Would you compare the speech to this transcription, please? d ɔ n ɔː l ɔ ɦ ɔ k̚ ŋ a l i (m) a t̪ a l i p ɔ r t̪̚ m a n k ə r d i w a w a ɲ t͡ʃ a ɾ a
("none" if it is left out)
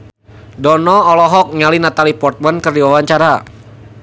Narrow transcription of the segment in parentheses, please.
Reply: n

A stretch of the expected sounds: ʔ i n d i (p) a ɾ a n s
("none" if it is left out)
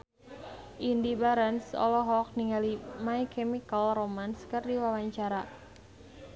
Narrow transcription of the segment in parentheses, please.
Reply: b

